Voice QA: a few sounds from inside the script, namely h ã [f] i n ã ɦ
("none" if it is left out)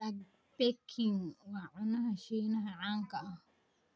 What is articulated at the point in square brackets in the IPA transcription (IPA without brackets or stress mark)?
ʃ